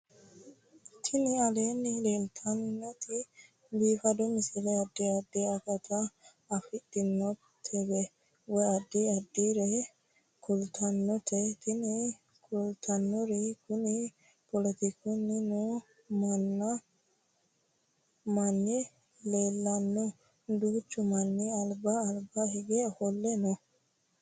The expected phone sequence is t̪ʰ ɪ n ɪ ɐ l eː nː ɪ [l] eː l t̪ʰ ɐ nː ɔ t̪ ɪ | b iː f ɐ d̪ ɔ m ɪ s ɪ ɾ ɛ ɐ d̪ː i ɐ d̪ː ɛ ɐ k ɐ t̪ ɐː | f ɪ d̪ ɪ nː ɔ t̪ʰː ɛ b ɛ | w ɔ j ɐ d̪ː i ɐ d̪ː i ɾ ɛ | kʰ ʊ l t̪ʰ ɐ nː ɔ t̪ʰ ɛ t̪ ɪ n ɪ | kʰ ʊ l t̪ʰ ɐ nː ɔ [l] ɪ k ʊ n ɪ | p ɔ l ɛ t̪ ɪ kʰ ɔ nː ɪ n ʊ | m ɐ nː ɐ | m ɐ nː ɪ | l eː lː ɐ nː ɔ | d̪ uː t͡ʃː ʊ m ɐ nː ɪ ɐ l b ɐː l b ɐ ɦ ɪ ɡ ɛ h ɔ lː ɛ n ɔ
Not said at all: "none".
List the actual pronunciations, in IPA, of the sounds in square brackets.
l, ɾ

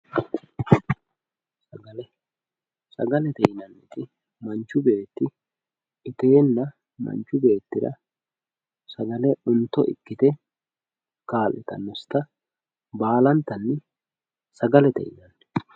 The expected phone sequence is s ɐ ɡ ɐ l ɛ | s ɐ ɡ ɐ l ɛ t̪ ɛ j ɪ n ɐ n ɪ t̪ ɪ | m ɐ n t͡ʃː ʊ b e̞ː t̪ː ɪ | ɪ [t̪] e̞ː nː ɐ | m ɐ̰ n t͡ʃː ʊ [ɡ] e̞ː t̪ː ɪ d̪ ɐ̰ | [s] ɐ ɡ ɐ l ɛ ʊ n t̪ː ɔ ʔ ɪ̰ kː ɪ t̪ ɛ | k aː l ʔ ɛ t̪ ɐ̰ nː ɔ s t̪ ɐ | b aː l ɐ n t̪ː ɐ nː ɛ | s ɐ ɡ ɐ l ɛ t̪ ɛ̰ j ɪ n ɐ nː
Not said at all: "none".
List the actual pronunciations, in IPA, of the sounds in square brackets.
t̪, b, s

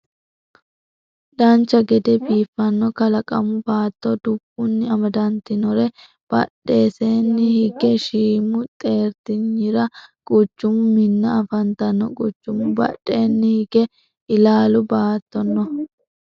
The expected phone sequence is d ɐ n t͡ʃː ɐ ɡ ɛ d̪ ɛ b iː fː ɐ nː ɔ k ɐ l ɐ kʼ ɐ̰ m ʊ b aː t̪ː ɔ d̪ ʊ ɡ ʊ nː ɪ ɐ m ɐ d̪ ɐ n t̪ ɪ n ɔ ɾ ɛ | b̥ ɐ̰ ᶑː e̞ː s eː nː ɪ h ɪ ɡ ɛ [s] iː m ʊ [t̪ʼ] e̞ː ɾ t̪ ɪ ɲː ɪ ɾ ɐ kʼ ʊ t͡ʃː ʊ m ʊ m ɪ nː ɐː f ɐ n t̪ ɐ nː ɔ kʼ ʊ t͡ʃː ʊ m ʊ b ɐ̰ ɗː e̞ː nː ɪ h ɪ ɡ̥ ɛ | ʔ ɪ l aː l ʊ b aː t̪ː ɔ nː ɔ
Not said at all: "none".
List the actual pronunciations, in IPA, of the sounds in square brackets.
ʃ, t̪ʼ

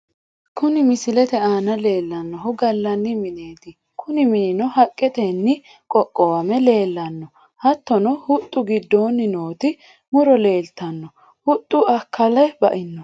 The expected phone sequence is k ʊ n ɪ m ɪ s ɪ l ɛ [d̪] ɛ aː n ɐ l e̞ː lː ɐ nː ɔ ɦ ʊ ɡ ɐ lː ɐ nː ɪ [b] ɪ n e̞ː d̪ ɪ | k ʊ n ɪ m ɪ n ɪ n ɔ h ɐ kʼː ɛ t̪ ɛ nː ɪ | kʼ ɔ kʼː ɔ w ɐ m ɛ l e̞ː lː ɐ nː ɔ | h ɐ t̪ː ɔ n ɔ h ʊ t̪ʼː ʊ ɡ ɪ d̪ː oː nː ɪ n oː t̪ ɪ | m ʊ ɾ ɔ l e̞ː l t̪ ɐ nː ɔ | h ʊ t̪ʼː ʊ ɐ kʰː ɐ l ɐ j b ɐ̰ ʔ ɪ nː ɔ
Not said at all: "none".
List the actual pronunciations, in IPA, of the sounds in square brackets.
t̪, m

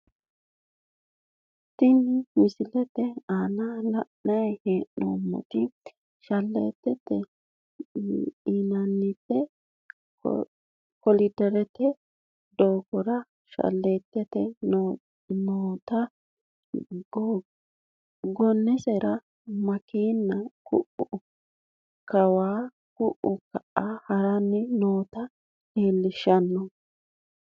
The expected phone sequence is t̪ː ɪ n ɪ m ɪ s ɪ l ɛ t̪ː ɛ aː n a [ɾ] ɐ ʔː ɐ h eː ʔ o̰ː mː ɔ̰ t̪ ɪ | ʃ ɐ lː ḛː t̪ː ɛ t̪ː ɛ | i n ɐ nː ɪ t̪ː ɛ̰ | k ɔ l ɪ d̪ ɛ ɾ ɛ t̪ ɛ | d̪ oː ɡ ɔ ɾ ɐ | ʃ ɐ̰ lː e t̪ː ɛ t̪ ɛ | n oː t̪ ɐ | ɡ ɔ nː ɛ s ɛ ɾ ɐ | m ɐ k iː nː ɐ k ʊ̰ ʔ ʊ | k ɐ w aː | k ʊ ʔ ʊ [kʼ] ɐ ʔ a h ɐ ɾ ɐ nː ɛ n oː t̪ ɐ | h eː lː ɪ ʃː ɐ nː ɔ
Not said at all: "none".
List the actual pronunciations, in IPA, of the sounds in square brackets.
l, k

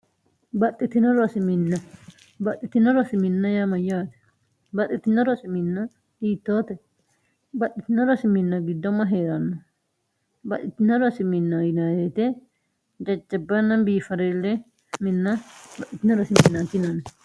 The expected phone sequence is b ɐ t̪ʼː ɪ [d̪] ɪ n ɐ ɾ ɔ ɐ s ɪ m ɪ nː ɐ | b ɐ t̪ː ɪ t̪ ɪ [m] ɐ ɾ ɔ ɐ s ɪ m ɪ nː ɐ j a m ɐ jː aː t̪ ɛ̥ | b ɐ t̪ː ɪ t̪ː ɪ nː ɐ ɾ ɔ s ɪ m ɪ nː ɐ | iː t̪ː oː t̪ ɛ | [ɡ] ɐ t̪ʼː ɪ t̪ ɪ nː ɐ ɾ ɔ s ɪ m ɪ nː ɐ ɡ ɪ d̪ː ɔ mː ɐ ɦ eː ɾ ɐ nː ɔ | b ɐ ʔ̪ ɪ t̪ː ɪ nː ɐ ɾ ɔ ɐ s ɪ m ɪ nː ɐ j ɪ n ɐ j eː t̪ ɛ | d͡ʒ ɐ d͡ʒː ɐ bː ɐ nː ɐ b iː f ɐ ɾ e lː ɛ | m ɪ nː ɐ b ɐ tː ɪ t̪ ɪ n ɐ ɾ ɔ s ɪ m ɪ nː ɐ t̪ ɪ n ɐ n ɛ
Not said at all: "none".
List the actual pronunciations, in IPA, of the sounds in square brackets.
t̪, n, b

